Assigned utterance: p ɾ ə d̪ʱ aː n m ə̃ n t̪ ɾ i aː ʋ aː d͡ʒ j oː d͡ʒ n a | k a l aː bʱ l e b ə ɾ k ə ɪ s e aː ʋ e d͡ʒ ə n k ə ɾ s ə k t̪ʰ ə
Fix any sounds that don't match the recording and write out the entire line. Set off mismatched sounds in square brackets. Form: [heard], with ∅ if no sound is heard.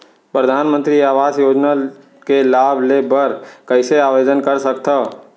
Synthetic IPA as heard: p ɾ ə d̪ʱ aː n m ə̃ n t̪ ɾ i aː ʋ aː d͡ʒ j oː d͡ʒ n a | k [e] l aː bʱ l e b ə ɾ k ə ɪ s e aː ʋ e d͡ʒ ə n k ə ɾ s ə k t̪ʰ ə